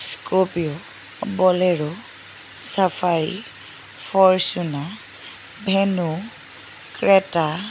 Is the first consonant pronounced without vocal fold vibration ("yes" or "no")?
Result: yes